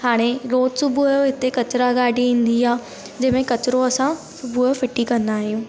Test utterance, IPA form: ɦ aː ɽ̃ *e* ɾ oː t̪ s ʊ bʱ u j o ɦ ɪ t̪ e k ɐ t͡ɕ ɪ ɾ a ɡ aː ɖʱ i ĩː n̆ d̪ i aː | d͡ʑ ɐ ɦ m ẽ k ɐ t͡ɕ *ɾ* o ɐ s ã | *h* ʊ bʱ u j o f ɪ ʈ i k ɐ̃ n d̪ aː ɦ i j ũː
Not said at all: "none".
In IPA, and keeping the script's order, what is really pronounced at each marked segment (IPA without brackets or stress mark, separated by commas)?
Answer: e, ɾ, s